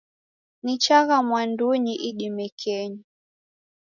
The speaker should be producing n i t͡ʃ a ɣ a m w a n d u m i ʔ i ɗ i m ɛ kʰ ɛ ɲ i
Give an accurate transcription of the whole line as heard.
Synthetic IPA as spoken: n i t͡ʃ a ɣ a m w a n d u ɲ i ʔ i ɗ i m ɛ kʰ ɛ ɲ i